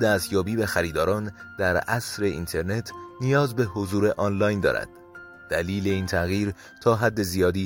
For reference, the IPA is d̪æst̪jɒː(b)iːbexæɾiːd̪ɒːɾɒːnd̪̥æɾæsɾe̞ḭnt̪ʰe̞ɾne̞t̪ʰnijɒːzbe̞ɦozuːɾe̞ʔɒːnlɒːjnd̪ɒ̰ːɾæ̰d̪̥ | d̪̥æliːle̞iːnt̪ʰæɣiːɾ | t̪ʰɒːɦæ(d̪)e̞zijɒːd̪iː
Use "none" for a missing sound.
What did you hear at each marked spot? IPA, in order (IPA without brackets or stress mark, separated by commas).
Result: b, d̪ː